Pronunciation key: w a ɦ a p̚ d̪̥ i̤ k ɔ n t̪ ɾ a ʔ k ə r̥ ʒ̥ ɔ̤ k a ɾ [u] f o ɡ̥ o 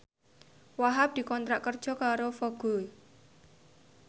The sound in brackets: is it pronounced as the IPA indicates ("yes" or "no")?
no